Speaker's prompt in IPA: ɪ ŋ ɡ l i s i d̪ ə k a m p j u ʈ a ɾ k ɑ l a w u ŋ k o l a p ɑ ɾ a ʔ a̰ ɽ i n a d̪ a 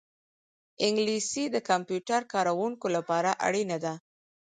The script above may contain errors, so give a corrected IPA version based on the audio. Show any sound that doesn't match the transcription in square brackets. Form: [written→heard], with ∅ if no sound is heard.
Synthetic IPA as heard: ɪ ŋ ɡ l i s i d̪ ə k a m p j u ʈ a ɾ k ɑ [l→ɾ] a w u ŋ k o l a p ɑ ɾ a ʔ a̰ ɽ i n a d̪ a